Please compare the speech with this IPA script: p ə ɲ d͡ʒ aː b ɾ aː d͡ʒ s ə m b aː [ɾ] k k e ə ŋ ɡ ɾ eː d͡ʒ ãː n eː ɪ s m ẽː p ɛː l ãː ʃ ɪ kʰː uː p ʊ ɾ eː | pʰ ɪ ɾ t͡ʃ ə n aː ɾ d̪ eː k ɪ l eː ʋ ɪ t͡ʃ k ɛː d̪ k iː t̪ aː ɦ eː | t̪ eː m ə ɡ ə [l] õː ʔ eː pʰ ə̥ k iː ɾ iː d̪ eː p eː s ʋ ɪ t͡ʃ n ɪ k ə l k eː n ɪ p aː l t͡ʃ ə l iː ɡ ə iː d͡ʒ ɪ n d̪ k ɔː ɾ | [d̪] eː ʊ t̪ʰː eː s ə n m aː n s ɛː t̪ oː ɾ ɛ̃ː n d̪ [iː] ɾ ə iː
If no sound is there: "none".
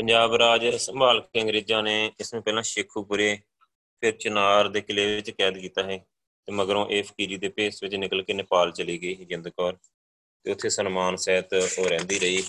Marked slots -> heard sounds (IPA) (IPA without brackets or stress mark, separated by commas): l, ɾ, t̪, iː